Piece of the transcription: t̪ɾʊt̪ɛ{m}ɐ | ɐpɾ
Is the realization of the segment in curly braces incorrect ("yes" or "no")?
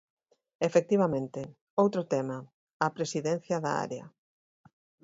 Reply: no